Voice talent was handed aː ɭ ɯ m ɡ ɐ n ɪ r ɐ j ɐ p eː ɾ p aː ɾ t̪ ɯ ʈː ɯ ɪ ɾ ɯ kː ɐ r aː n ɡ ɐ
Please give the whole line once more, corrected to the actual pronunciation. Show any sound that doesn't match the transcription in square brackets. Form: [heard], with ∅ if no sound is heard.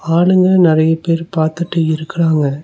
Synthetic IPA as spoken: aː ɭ ɯ [ŋ] ɡ ɐ n ɪ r ɐ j ɐ p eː ɾ p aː ɾ t̪ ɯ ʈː ɯ ɪ ɾ ɯ kː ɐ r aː [ŋ] ɡ ɐ